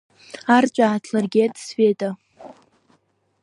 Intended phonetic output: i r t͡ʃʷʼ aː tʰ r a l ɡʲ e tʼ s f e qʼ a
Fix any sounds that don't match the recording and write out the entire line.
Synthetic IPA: a r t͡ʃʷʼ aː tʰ l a r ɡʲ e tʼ s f e tʼ a